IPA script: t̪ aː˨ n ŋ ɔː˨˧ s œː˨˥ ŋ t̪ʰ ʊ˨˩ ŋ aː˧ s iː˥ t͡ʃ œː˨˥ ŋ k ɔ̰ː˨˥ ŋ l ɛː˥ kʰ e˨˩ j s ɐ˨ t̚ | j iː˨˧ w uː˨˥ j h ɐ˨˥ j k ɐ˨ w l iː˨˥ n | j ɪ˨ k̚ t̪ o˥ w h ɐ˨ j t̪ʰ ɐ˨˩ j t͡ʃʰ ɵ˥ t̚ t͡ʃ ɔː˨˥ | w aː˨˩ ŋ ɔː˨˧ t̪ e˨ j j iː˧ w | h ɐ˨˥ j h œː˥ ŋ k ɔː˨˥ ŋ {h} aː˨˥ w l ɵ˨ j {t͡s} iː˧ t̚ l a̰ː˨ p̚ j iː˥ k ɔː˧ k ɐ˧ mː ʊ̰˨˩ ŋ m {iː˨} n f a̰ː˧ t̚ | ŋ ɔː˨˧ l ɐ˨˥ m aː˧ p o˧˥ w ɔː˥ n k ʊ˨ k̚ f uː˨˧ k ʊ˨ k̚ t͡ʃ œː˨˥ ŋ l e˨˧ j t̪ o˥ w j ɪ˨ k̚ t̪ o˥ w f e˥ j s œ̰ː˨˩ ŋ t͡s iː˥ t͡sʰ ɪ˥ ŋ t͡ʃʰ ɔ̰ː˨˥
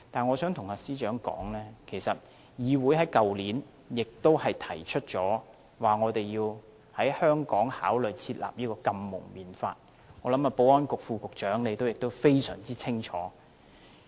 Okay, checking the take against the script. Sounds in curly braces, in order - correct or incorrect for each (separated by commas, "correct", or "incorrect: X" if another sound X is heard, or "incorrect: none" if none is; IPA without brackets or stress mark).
correct, incorrect: t͡sʰ, correct